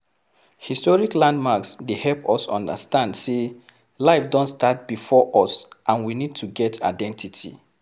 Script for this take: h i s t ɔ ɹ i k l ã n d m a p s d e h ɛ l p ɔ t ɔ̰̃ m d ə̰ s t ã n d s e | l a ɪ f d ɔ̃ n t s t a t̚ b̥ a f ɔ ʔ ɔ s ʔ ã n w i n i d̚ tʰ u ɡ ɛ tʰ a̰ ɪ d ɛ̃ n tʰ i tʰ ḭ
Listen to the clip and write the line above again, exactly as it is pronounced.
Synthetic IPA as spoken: h i s t ɔ ɹ i k l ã n d m a k s d e h ɛ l p ɔ s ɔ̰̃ n d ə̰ s t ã n d s e | l a ɪ f d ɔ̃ n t s t a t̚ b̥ i f ɔ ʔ ɔ s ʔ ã n w i n i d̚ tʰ u ɡ ɛ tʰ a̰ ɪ d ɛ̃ n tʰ i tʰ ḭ